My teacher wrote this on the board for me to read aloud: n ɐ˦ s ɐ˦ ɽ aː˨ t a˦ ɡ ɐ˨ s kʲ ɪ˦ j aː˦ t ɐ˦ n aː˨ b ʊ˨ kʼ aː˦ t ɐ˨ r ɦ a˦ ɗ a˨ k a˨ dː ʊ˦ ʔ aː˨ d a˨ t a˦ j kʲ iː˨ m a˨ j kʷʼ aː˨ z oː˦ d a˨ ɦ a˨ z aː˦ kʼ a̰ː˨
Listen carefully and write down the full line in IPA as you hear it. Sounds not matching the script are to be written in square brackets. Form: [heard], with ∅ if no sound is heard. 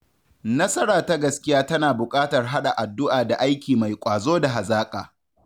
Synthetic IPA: n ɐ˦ s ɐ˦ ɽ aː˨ t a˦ ɡ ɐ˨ s kʲ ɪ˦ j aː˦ t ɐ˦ n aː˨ b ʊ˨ kʼ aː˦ t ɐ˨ r ɦ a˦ ɗ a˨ [ʔ] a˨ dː ʊ˦ ʔ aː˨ d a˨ [ʔ] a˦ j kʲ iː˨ m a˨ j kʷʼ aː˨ z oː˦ d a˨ ɦ a˨ z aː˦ kʼ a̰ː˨